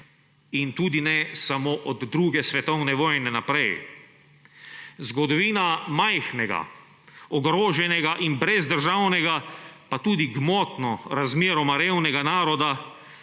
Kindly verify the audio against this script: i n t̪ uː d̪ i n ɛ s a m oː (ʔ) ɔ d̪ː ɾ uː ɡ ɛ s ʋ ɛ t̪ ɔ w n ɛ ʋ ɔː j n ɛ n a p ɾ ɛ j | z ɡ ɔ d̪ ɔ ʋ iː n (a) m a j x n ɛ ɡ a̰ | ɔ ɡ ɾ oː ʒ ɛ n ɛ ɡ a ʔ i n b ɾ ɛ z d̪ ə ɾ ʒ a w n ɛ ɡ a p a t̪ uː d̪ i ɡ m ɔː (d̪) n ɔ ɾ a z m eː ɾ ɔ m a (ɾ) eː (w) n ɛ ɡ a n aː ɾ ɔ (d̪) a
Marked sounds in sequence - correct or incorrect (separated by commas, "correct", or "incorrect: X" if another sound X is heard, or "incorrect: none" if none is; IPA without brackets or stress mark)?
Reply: correct, correct, incorrect: t̪, correct, correct, correct